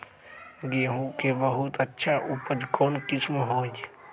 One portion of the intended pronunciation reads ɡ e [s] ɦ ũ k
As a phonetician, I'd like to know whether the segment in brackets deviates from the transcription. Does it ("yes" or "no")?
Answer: yes